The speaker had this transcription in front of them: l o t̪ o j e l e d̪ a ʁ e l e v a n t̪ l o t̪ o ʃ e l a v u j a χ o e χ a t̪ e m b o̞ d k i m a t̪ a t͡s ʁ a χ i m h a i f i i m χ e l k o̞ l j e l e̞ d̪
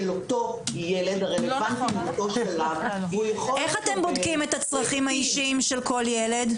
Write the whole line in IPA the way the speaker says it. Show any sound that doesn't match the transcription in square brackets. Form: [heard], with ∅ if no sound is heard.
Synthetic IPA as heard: l o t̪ o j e l e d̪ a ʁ e l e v a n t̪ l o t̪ o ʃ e l a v u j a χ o e χ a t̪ e m b o̞ d k i m [e] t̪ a t͡s ʁ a χ i m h a i [ʃ] i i m [ʃ] e l k o̞ l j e l e̞ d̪